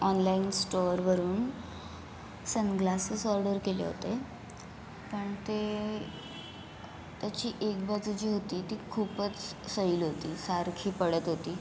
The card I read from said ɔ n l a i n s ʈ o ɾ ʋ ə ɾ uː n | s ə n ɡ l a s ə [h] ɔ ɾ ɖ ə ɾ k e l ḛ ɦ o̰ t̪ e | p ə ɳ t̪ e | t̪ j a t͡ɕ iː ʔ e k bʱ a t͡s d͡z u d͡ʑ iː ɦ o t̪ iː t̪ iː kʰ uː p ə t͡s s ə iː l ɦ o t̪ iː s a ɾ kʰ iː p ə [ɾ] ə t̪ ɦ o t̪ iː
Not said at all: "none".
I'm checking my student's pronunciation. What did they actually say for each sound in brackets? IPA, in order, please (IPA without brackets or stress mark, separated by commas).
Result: s, ɽ